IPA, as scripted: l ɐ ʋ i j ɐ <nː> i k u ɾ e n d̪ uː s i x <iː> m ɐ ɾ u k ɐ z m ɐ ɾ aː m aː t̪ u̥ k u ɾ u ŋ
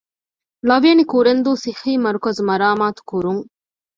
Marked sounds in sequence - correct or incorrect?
incorrect: n, correct

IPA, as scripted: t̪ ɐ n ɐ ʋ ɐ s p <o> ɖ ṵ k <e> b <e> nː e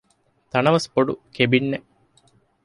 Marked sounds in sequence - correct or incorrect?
correct, correct, incorrect: i

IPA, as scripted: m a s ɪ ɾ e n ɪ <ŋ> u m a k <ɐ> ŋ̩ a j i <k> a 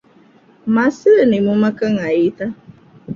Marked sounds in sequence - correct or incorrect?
incorrect: m, incorrect: a, incorrect: t

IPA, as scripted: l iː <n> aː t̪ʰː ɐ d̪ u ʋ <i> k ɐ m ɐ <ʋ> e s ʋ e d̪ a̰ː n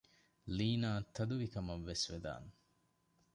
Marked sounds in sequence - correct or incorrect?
correct, correct, incorrect: ʋː

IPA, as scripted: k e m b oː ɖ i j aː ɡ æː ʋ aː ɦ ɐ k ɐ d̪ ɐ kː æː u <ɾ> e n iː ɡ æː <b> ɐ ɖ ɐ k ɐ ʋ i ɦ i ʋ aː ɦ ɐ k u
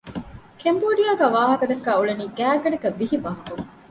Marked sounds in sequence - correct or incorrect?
incorrect: ɭ, incorrect: ɡ

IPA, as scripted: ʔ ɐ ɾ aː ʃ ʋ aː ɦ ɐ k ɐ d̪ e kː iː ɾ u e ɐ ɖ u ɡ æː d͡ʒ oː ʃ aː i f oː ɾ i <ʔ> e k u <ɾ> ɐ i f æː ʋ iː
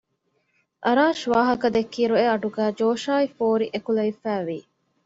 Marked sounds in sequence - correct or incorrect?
correct, incorrect: l

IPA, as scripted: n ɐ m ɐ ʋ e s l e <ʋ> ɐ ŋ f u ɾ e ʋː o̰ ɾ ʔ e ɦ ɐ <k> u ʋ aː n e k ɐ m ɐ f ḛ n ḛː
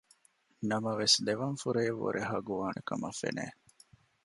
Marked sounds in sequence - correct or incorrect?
correct, incorrect: ɡ

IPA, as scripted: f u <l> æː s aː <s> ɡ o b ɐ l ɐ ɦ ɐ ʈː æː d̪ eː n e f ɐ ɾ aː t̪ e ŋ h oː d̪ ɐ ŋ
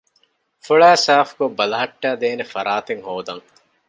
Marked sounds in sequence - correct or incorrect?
incorrect: ɭ, incorrect: f

